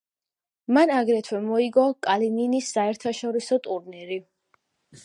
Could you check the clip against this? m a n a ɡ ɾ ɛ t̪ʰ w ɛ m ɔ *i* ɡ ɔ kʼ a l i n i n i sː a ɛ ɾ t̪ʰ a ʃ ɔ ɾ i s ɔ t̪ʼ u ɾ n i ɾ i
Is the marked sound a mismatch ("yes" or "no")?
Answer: no